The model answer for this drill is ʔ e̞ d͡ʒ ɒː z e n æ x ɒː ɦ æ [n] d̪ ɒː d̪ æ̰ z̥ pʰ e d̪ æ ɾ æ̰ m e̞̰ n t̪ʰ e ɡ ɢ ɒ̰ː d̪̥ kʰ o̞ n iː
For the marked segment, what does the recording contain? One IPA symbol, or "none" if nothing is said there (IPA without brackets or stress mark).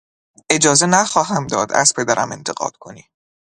m